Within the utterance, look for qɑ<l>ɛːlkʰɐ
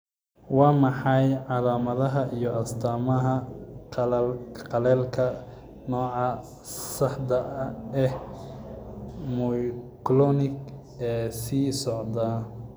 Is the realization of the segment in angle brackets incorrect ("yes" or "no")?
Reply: no